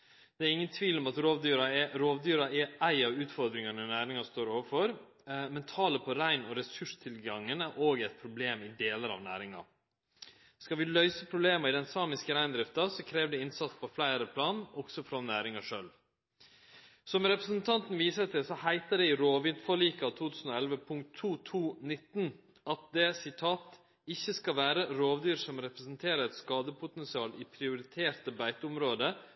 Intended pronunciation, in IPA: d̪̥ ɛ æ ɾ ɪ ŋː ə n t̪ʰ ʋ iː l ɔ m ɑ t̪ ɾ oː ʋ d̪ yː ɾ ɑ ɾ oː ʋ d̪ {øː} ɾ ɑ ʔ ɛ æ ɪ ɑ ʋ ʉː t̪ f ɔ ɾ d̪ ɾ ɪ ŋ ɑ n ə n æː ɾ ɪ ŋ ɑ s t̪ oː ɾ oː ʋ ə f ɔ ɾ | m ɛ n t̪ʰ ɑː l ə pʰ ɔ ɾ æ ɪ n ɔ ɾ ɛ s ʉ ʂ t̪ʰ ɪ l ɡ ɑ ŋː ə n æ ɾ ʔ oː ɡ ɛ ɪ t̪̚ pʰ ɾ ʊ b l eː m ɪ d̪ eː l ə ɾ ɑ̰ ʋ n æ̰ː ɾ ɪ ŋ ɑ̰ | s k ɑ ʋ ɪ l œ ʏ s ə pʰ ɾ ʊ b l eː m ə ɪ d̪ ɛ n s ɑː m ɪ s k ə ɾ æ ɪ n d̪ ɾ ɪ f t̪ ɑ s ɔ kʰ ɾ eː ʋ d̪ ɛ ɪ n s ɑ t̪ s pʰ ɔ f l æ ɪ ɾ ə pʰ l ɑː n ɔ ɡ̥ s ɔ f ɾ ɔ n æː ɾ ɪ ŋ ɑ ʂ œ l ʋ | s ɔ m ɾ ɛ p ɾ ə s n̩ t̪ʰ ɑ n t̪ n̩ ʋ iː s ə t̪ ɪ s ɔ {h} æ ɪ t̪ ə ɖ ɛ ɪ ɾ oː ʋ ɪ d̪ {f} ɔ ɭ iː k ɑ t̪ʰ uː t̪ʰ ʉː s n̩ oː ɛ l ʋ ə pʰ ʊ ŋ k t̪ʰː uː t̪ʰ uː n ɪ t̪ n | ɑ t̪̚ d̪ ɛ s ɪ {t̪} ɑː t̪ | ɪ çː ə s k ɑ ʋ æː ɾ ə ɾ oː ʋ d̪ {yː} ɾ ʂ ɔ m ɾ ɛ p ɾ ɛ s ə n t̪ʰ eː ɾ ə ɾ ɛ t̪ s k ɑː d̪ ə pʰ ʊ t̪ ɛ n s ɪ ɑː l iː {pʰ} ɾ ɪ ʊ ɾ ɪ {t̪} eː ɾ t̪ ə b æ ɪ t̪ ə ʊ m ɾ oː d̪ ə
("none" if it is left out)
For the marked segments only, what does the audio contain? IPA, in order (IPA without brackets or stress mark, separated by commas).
yː, h, f, t̪ʰ, yː, pʰ, t̪ʰ